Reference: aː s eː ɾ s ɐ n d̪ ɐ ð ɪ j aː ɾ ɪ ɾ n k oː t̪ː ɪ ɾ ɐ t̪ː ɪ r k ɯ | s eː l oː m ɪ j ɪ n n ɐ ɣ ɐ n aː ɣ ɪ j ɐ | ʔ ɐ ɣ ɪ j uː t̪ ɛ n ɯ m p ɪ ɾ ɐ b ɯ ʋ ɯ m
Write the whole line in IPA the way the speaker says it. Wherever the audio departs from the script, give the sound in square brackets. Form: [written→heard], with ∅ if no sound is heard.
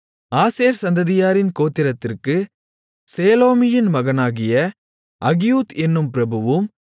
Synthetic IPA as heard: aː s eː ɾ s ɐ n d̪ ɐ ð ɪ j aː ɾ ɪ [ɾ→∅] n k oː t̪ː ɪ ɾ ɐ t̪ː ɪ r k ɯ | s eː l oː m ɪ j ɪ n [n→m] ɐ ɣ ɐ n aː ɣ ɪ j ɐ | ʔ ɐ ɣ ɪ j uː t̪ ɛ [n→nː] ɯ m p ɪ ɾ ɐ b ɯ ʋ ɯ m